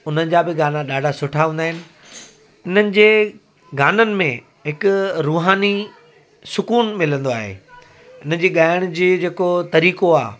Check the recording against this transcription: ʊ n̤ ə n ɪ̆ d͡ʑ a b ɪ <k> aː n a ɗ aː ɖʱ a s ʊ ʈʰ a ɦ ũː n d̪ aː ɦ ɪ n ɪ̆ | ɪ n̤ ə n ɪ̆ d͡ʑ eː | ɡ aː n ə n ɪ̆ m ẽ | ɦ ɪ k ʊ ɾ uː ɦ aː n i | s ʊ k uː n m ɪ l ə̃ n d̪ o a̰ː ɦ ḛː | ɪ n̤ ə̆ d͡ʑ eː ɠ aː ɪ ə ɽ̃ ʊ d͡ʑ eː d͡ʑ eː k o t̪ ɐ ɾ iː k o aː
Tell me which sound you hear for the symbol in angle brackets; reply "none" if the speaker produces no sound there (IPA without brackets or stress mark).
ɡ